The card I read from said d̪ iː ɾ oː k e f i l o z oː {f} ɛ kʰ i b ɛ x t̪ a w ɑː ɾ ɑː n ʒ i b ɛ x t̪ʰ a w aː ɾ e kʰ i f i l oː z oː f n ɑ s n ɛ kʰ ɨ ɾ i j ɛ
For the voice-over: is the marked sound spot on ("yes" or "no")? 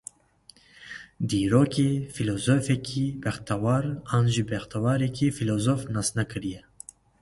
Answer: yes